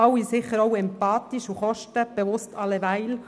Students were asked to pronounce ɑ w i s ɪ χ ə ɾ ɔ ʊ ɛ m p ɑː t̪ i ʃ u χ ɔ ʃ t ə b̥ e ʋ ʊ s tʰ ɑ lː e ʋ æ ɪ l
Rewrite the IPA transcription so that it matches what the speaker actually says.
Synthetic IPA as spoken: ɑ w i s ɪ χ ə ɾ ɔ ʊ ɛ m p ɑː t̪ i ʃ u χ ɔ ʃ t ə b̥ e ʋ ʊ s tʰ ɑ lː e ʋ æ ɪ l